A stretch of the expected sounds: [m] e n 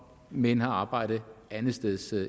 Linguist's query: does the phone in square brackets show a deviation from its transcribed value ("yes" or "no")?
no